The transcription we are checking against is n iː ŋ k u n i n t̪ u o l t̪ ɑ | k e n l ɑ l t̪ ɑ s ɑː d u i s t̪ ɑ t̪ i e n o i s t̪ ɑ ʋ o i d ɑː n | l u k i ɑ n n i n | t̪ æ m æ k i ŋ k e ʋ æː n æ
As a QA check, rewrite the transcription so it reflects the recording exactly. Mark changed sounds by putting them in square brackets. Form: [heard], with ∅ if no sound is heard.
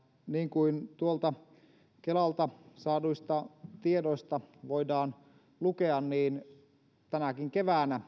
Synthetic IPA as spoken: n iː ŋ k u [∅] i n t̪ u o l t̪ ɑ | k e [∅] l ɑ l t̪ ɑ s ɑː d u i s t̪ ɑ t̪ i e [d] o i s t̪ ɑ ʋ o i d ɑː n | l u k [e] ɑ n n [iː] n | t̪ æ [n] æ k i ŋ k e ʋ æː n æ